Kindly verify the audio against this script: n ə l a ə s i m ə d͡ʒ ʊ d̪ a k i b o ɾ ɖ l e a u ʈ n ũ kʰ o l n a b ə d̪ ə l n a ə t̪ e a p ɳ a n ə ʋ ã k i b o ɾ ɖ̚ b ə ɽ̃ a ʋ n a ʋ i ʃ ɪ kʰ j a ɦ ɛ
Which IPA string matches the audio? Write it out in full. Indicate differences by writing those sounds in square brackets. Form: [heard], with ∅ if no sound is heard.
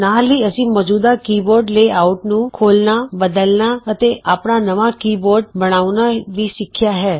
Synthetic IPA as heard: n [a] l [i] ə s i m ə d͡ʒ [u] d̪ a k i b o ɾ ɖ l e a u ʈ n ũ kʰ o l n a b ə d̪ ə l n a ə t̪ e a p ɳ a n ə ʋ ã k i b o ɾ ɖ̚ b ə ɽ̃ a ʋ n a ʋ i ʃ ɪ kʰ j a ɦ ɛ